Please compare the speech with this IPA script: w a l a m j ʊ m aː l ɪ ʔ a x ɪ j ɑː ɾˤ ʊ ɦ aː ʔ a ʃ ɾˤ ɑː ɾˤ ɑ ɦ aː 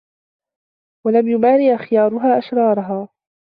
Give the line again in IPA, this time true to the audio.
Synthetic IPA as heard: w a l a m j ʊ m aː ɾ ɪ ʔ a x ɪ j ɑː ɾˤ ʊ ɦ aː ʔ a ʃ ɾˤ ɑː ɾˤ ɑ ɦ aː